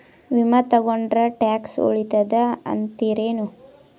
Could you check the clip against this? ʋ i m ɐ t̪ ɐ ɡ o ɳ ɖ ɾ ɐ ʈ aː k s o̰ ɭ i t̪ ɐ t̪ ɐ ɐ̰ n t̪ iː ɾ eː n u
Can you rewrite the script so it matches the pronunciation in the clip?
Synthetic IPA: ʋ i m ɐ t̪ ɐ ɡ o ɳ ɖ ɾ ɐ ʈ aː k s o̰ ɭ i t̪ ɐ d̪ ɐ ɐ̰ n t̪ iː ɾ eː n u

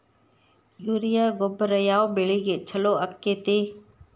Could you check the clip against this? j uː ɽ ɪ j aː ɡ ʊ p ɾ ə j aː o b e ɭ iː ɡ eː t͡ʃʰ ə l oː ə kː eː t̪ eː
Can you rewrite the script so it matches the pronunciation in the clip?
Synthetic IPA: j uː ɾ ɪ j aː ɡ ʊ b ɾ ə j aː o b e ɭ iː ɡ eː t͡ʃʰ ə l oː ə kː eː t̪ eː

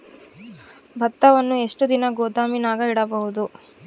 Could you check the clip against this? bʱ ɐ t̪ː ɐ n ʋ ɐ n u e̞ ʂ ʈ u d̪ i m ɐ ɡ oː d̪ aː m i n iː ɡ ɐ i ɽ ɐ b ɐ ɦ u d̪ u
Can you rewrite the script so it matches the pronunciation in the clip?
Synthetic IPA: bʱ ɐ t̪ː ɐ ʋ ɐ nː u e̞ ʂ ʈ u d̪ i n ɐ ɡ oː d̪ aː m i n aː ɡ ɐ i ɽ ɐ b ɐ ɦ u d̪ u

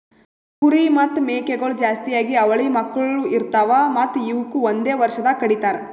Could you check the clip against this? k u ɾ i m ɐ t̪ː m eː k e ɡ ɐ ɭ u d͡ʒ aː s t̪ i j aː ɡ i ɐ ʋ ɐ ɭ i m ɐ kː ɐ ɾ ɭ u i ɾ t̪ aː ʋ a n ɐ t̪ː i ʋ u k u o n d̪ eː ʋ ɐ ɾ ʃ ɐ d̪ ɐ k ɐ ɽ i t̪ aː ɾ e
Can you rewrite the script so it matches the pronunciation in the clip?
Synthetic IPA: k u ɾ i m ɐ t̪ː m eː k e ɡ ɐ ɭ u d͡ʒ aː s t̪ i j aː ɡ i ɐ ʋ ɐ ɭ i m ɐ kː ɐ ɭ ɭ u i ɾ t̪ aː ʋ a m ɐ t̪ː i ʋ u k u o n d̪ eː ʋ ɐ ɾ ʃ ɐ d̪ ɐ k ɐ ɽ i t̪ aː ɾ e

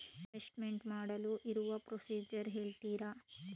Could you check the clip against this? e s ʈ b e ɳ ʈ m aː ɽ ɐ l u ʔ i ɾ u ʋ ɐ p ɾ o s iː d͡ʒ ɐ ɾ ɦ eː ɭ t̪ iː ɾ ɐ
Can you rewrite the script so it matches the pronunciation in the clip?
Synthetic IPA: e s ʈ m e ɳ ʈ m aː ɽ ɐ l u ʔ i ɾ u ʋ ɐ p ɾ o s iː d͡ʒ ɐ ɾ ɦ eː ɭ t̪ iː ɾ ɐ

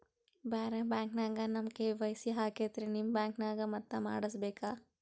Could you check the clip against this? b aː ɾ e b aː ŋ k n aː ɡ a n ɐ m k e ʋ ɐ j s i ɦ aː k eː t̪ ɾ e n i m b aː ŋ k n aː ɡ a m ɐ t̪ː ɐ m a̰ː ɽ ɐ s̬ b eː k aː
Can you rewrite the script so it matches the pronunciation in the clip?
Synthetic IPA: b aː ɾ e b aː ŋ k n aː ɡ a n ɐ m k e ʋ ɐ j s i ɦ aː k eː t̪ ɾ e n i m b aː ŋ k n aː ɡ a m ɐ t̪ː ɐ m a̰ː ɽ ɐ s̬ b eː k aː

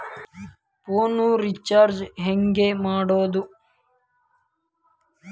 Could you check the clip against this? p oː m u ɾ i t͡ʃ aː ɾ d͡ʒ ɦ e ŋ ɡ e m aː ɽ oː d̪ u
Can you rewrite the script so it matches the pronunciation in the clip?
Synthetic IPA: p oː n u ɾ i t͡ʃ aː ɾ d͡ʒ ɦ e ŋ ɡ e m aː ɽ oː d̪ u

